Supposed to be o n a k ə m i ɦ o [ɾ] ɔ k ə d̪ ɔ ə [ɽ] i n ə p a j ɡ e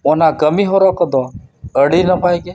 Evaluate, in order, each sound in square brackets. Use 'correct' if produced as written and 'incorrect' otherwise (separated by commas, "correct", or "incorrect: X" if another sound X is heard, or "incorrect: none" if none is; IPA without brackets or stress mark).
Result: correct, correct